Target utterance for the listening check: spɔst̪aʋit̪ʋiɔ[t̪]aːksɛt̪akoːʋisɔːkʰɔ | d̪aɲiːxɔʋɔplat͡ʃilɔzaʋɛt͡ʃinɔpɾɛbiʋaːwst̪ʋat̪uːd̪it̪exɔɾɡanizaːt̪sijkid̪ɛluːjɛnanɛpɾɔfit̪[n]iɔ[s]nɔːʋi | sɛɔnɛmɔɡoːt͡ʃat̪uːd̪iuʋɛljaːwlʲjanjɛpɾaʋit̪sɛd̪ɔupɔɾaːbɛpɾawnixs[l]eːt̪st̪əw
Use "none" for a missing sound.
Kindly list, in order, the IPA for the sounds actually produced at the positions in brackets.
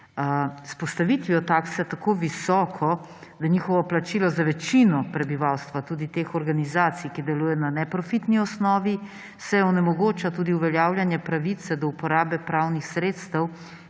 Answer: t̪, n, s, ɾ

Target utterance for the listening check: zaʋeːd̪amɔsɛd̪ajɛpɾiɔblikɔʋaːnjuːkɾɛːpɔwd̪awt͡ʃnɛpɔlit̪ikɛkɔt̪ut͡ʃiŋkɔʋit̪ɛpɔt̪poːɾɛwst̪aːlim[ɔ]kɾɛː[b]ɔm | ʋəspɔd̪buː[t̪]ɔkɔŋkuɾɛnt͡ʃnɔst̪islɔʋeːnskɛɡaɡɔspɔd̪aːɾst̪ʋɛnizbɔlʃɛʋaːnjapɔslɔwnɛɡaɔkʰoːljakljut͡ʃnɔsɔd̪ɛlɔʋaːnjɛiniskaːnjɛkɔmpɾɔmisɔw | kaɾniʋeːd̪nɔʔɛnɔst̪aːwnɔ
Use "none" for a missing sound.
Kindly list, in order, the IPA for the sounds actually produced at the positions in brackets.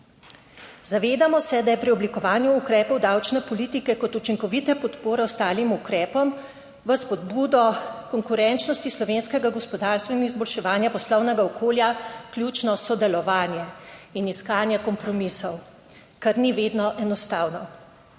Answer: u, p, d̪

